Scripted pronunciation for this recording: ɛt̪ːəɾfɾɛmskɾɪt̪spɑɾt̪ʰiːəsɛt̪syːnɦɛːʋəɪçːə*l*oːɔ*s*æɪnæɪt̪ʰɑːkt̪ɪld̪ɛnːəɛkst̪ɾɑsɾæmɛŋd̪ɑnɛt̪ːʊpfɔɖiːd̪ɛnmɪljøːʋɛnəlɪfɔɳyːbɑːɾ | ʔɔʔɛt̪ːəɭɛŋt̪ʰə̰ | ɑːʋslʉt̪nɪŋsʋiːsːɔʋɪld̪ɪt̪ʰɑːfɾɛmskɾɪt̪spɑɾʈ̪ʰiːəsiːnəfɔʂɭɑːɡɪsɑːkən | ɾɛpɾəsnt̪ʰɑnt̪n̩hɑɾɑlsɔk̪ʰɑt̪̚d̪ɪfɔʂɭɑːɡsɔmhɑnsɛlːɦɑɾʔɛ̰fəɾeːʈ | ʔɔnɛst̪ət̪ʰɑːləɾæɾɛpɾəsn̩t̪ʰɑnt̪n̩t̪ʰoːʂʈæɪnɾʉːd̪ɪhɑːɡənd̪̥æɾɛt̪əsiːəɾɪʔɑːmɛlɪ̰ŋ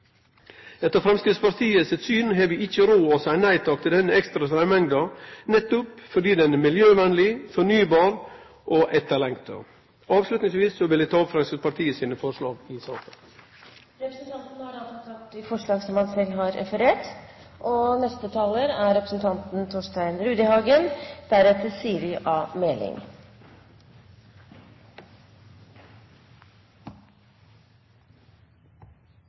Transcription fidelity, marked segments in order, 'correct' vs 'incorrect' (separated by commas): incorrect, correct